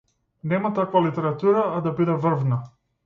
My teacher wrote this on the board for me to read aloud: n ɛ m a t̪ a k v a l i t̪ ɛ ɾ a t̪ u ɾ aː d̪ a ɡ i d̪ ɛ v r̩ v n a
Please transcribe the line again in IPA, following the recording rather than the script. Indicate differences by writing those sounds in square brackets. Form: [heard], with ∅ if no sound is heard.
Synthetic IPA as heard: n ɛ m a t̪ a k v a l i t̪ ɛ ɾ a t̪ u ɾ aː d̪ a [b] i d̪ ɛ v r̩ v n a